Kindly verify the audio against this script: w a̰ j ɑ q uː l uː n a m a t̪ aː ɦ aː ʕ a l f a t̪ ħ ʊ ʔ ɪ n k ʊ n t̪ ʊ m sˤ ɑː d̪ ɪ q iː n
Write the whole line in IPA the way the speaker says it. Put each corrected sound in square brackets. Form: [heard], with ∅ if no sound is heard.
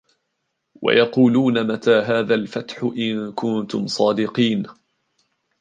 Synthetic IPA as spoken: w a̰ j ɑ q uː l uː n a m a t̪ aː ɦ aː [ð] a l f a t̪ ħ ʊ ʔ ɪ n k ʊ n t̪ ʊ m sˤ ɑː d̪ ɪ q iː n